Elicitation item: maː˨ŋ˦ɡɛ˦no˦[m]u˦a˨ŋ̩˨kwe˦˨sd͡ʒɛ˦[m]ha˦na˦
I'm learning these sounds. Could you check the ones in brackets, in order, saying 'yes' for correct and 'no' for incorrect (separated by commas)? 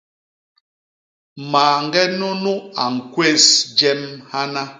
no, yes